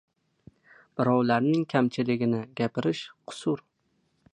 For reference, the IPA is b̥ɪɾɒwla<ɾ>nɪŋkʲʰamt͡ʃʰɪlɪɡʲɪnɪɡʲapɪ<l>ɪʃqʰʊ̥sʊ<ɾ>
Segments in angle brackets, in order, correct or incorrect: correct, incorrect, correct

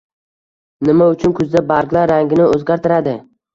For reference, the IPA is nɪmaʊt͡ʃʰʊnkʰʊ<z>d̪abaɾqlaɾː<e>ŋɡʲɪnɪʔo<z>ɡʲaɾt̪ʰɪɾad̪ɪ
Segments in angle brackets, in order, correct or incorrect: correct, incorrect, correct

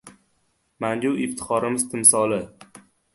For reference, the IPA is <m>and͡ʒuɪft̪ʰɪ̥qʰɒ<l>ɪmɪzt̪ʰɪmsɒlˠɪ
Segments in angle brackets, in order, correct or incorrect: correct, incorrect

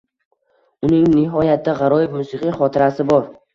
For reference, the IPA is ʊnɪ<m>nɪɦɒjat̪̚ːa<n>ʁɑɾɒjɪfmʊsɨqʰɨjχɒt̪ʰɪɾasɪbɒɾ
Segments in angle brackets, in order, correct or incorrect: incorrect, incorrect

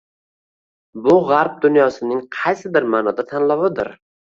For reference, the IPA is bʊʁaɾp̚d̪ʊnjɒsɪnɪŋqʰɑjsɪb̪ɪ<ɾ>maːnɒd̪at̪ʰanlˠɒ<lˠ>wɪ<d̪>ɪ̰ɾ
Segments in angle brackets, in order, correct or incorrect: correct, incorrect, correct

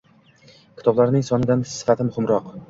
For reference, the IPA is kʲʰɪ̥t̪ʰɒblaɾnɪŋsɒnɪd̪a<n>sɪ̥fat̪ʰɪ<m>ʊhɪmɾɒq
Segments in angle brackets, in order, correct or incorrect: correct, correct

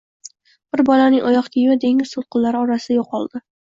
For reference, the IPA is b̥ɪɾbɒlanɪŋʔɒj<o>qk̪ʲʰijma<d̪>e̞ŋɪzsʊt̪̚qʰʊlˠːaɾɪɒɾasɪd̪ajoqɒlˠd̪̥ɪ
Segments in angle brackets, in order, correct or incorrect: incorrect, correct

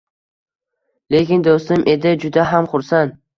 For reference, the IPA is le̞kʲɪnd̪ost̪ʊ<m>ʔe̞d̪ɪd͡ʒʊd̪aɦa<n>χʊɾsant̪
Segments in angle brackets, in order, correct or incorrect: correct, incorrect

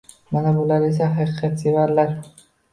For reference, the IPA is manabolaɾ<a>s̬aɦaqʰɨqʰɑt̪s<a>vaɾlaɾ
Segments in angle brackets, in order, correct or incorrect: incorrect, incorrect

